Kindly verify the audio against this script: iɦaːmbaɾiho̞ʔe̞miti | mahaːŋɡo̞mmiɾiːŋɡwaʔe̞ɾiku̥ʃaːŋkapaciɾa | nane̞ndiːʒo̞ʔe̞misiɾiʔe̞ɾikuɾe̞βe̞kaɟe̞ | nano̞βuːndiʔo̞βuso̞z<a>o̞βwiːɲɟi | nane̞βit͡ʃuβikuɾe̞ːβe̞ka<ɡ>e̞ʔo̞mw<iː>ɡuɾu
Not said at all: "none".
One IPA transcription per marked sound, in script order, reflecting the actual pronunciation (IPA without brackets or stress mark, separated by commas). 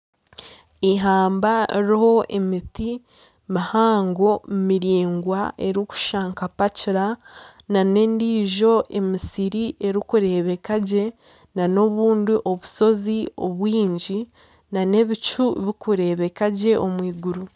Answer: i, ɟ, iː